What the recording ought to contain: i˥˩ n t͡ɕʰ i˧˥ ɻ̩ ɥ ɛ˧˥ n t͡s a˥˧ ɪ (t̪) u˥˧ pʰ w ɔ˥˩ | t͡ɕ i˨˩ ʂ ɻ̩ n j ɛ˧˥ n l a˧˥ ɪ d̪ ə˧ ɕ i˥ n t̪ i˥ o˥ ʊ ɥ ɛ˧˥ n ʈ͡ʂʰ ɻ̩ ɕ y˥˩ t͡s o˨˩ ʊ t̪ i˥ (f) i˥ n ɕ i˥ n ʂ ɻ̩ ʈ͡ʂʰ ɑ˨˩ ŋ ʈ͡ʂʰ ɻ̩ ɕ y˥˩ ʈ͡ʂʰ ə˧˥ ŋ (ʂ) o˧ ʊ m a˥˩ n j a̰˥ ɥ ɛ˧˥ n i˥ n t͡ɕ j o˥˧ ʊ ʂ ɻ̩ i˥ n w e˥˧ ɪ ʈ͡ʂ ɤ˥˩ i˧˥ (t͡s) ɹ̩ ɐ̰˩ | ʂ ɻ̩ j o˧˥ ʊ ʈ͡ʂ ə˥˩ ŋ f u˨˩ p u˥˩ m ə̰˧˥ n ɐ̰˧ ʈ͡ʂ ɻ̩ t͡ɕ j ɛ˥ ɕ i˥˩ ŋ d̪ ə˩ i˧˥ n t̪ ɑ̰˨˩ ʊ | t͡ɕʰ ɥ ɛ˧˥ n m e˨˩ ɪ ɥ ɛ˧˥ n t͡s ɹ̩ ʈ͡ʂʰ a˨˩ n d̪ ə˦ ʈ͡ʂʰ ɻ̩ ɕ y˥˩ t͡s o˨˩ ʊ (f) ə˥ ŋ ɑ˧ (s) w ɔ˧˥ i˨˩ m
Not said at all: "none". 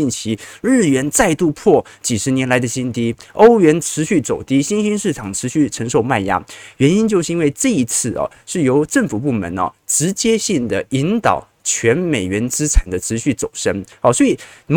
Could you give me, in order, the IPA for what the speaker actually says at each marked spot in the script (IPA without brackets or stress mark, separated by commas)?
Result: t̪, ɕ, ʂ, t͡sʰ, ʂ, s